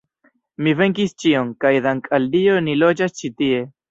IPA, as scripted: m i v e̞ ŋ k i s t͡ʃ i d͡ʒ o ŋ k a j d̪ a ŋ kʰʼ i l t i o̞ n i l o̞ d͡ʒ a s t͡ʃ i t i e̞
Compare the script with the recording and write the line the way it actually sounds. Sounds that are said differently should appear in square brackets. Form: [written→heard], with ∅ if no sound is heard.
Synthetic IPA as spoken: m i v e̞ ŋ k i s t͡ʃ i [d͡ʒ→∅] o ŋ k a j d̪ a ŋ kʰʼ [i→a] l [t→d] i o̞ n i l o̞ d͡ʒ a s t͡ʃ i t i e̞